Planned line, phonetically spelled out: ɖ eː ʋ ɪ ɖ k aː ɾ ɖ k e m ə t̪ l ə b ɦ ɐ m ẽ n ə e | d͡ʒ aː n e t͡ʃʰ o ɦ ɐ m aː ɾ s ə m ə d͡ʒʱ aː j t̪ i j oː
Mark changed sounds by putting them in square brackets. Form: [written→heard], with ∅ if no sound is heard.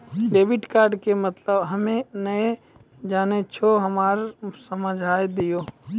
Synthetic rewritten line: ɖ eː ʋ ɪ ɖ k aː ɾ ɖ k e m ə t̪ l ə b ɦ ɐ m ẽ n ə e | d͡ʒ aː n e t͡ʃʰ o ɦ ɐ m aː ɾ s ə m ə d͡ʒʱ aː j [t̪→d̪] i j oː